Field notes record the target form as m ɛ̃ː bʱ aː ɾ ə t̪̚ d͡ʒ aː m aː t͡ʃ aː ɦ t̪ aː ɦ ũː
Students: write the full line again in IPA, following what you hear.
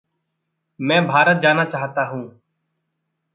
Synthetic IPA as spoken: m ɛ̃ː bʱ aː ɾ ə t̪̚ d͡ʒ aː n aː t͡ʃ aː ɦ t̪ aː ɦ ũː

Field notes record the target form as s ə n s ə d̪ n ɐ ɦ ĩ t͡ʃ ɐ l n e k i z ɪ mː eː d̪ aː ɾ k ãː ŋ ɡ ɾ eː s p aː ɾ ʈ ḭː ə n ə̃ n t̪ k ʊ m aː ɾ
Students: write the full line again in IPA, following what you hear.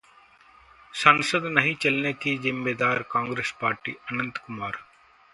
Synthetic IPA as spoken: s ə n s ə d̪ n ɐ ɦ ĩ t͡ʃ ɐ l n e k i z ɪ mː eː d̪ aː ɾ k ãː ŋ ɡ ɾ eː s p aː ɾ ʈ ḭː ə n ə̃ n t̪ k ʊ m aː ɾ

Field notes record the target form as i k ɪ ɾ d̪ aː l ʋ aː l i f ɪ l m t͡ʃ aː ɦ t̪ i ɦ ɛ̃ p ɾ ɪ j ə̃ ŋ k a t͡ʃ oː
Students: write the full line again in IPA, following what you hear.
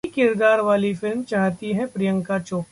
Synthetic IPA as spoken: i k ɪ ɾ d̪ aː ɾ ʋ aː l i f ɪ l m t͡ʃ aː ɦ t̪ i ɦ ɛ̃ p ɾ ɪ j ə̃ ŋ k a t͡ʃ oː

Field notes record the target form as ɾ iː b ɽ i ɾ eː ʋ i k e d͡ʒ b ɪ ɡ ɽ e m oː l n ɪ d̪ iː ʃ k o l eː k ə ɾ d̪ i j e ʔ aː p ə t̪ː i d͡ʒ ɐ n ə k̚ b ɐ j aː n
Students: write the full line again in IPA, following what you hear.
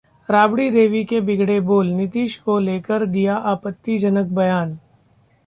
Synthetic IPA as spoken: ɾ aː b ɽ i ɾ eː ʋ i k e b ɪ ɡ ɽ e b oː l n ɪ t̪ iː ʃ k o l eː k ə ɾ d̪ i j a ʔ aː p ə t̪ː i d͡ʒ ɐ n ə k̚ b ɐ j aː n

